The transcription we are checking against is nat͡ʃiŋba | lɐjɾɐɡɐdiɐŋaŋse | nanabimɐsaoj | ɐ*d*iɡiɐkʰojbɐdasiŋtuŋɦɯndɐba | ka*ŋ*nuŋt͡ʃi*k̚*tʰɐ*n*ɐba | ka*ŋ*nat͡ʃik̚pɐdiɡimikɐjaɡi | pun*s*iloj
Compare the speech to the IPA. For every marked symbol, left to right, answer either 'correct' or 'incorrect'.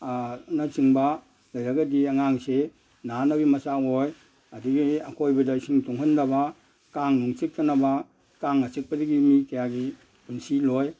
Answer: correct, correct, correct, correct, correct, correct

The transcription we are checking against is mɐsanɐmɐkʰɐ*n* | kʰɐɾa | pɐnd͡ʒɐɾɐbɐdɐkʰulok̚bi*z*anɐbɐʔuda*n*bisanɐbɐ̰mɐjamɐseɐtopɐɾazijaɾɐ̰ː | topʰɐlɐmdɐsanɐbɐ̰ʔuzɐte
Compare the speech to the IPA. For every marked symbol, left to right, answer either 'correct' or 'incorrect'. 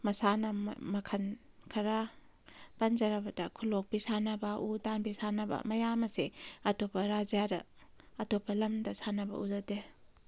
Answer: correct, incorrect, correct

